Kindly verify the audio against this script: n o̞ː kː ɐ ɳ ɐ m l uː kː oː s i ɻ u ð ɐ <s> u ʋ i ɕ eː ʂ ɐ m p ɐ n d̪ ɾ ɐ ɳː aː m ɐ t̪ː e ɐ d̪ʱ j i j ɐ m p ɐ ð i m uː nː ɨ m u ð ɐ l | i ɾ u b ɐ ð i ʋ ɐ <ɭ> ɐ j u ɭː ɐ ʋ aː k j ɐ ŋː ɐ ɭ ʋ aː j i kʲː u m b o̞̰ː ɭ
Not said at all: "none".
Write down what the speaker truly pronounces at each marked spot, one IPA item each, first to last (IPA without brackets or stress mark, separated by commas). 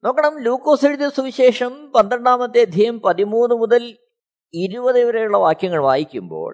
s, ɾ